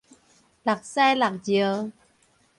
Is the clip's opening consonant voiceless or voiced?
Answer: voiced